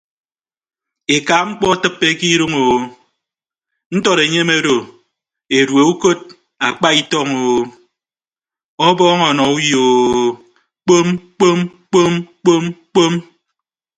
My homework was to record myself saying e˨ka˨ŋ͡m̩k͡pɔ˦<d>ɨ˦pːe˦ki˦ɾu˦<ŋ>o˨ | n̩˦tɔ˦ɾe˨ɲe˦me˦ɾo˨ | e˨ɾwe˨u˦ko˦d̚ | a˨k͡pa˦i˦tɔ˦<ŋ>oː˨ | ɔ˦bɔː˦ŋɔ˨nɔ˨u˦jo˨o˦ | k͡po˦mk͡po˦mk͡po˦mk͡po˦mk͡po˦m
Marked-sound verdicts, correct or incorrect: incorrect: t, correct, correct

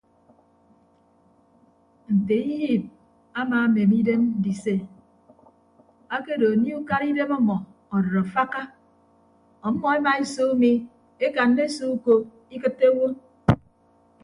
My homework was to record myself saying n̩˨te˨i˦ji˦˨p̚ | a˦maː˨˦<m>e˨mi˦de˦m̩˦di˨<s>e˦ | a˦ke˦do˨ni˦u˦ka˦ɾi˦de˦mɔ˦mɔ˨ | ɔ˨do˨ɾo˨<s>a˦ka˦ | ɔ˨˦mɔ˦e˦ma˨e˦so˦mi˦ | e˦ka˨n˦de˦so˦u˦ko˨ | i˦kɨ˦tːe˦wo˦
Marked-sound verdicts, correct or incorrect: correct, correct, incorrect: f

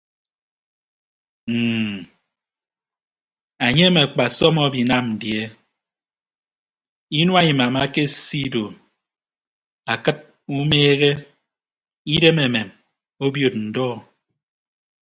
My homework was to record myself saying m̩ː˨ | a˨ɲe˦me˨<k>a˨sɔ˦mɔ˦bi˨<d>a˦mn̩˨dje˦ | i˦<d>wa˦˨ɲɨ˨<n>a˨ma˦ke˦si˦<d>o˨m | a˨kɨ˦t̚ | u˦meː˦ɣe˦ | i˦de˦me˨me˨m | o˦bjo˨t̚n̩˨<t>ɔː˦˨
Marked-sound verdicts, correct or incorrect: incorrect: k͡p, incorrect: n, incorrect: n, incorrect: m, correct, incorrect: d

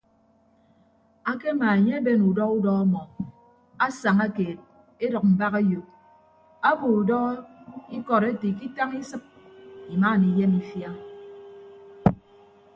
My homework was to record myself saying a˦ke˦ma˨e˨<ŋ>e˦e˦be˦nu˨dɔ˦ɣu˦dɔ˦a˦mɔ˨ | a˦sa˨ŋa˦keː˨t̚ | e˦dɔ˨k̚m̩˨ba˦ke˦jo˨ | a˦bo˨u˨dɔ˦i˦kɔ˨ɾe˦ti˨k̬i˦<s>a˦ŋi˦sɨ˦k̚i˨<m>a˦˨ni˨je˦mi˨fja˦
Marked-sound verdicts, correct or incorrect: incorrect: ɲ, incorrect: t, correct

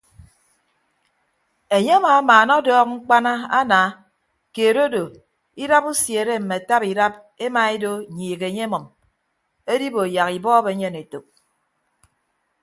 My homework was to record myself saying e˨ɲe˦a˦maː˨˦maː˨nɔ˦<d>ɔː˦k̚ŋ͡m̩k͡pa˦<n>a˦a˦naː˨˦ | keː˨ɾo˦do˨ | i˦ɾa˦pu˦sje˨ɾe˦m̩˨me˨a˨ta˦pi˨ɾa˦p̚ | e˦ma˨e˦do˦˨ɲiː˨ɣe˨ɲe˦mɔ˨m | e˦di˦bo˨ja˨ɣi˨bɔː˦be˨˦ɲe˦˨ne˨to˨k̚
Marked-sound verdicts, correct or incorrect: correct, correct

